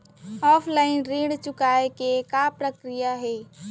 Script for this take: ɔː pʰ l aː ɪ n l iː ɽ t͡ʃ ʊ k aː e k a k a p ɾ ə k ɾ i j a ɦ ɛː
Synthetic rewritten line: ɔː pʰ l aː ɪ n ɾ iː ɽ t͡ʃ ʊ k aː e k e k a p ɾ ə k ɾ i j a ɦ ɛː